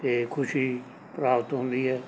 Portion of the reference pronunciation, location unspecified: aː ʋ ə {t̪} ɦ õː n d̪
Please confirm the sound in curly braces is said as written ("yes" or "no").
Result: yes